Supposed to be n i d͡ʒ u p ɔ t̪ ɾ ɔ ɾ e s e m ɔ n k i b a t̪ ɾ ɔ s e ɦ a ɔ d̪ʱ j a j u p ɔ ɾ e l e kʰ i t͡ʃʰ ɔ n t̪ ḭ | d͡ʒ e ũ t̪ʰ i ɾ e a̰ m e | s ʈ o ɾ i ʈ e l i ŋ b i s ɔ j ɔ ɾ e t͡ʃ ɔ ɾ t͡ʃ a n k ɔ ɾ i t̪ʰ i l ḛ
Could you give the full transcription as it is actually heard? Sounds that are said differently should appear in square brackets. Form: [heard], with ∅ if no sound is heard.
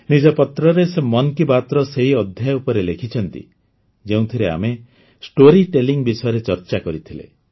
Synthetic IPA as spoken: n i d͡ʒ [ɔ] p ɔ t̪ ɾ ɔ ɾ e s e m ɔ n k i b a t̪ ɾ ɔ s e ɦ [i] ɔ d̪ʱ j a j u p ɔ ɾ e l e kʰ i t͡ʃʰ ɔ n t̪ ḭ | d͡ʒ e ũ t̪ʰ i ɾ e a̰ m e | s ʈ o ɾ i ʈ e l i ŋ b i s ɔ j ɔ ɾ e t͡ʃ ɔ ɾ t͡ʃ a [∅] k ɔ ɾ i t̪ʰ i l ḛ